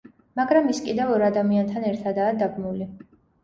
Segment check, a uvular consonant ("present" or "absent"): absent